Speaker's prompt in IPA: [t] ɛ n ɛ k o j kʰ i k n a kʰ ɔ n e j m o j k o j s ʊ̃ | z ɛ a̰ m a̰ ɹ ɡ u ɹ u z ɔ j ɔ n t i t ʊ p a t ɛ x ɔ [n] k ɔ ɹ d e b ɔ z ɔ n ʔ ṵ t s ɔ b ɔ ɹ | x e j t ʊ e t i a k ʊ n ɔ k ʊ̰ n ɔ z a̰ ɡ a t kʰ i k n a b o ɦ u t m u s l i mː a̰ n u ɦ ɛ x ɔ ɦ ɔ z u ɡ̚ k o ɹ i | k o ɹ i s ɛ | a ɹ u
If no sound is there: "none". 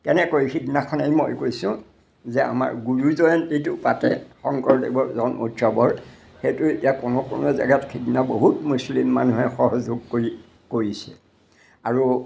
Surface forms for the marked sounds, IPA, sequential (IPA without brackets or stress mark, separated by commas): k, ŋ